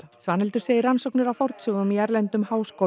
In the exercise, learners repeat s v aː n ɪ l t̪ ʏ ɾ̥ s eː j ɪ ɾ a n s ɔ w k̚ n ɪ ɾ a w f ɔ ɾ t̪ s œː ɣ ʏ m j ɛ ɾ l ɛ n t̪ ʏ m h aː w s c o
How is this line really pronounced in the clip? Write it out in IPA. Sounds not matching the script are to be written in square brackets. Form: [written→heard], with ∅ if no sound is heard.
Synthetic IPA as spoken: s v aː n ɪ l t̪ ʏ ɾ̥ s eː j ɪ ɾ a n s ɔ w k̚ n ɪ ɾ a w f ɔ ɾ t̪ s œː ɣ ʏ m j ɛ ɾ l ɛ n t̪ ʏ m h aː w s [c→k] o